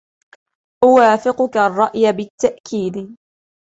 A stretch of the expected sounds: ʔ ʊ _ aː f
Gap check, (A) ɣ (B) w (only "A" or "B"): B